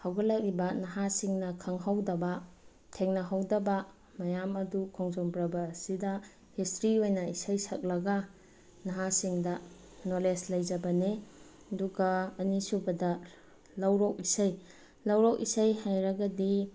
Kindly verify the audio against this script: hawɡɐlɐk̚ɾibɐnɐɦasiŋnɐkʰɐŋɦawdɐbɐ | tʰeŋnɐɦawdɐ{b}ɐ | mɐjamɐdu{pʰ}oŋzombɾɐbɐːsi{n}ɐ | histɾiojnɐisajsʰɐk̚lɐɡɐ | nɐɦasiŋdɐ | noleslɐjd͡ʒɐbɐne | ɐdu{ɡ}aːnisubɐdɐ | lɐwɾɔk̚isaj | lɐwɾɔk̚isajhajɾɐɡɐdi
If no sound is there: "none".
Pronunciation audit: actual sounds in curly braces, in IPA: b, kʰ, d, ɡ

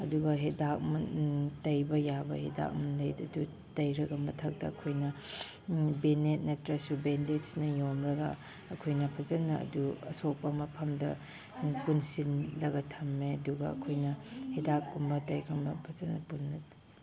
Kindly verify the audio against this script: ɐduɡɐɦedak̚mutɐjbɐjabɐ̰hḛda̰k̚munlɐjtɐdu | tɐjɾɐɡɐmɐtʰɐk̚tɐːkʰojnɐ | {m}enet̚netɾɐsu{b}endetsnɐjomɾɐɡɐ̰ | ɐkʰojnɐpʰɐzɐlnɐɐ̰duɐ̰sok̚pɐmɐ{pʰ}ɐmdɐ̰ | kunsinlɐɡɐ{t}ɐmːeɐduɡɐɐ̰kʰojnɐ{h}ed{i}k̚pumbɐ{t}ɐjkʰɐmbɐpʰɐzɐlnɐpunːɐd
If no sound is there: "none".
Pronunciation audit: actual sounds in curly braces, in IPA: b, b, pʰ, tʰ, h, a, t

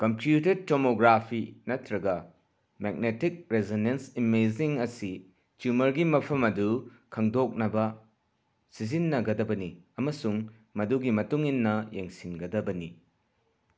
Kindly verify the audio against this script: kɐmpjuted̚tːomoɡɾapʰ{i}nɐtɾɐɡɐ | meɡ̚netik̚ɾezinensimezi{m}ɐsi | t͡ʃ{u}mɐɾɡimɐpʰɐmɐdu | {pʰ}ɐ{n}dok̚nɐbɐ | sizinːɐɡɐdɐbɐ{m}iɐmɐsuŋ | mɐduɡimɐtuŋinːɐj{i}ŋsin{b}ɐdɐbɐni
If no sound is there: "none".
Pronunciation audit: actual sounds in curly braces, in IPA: i, ŋ, u, kʰ, ŋ, n, e, ɡ

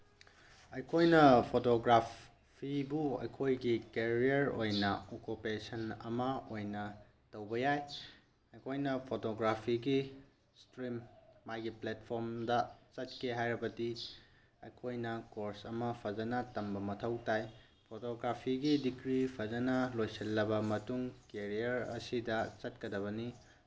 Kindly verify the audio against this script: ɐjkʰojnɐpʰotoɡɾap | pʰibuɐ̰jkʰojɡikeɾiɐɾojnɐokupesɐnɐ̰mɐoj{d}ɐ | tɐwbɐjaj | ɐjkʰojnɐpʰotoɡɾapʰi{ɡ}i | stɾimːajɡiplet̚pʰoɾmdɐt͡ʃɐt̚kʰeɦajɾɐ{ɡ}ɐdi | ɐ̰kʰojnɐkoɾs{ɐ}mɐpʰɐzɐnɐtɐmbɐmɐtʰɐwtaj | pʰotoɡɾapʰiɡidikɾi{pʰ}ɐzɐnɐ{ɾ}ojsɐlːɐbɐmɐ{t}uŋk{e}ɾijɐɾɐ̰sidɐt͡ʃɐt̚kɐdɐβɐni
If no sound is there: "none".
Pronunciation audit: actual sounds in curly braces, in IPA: n, ɡ, b, ɐ, pʰ, l, t, e

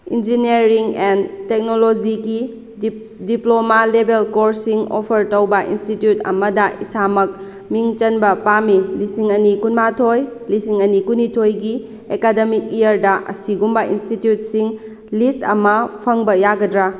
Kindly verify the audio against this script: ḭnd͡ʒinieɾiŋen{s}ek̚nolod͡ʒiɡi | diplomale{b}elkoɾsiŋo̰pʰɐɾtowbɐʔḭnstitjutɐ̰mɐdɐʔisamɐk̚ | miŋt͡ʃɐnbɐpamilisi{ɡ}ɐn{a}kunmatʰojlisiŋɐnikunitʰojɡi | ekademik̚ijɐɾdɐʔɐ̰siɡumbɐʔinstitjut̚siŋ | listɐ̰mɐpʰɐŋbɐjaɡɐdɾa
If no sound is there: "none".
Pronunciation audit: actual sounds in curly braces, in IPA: t, b, ŋ, i

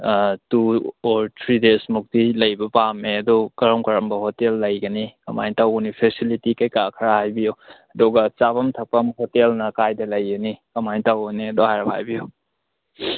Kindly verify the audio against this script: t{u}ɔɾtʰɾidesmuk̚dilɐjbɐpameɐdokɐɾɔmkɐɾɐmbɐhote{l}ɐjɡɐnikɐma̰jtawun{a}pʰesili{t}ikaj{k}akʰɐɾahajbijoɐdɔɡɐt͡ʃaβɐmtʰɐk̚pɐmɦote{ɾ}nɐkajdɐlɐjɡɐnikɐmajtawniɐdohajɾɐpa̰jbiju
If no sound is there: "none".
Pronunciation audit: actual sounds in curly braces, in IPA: u, lː, i, t, k, l

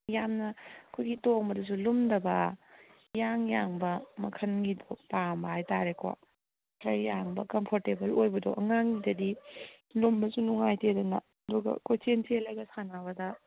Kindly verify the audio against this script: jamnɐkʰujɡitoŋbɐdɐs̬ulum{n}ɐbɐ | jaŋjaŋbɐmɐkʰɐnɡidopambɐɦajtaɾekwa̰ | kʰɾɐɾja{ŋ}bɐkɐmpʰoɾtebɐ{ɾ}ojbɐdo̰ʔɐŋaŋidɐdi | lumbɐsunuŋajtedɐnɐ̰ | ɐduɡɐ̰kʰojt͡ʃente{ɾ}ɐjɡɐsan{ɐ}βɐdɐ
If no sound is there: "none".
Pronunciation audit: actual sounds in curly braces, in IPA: d, ŋ, l, l, a

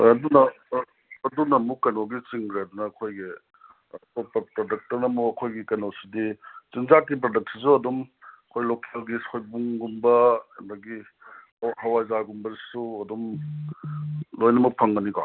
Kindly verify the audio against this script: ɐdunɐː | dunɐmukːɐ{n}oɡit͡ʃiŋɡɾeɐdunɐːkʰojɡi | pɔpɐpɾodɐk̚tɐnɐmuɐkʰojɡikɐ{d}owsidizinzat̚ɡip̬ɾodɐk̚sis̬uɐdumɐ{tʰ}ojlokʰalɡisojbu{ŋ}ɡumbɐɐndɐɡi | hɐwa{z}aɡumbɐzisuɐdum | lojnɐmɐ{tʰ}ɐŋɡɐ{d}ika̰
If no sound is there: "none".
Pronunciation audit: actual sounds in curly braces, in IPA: n, n, kʰ, ŋ, z, pʰ, n

